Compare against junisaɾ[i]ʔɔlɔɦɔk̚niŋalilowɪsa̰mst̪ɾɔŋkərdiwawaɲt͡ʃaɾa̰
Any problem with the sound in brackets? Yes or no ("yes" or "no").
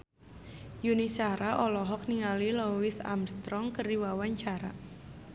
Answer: yes